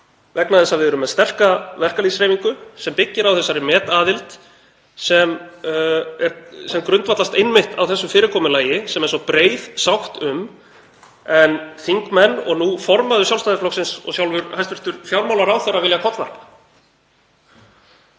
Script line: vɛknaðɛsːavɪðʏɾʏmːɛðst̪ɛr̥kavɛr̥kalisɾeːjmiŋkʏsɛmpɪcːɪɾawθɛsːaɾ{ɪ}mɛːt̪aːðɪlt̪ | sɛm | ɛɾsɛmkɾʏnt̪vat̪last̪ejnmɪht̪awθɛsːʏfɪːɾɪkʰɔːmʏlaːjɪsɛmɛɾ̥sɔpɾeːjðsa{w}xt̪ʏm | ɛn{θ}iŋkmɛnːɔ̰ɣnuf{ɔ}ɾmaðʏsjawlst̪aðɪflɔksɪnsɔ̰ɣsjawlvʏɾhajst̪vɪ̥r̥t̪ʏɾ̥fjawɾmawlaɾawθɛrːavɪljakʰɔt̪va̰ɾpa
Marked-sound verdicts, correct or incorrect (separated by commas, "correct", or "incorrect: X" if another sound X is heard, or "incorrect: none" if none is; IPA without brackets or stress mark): correct, correct, correct, correct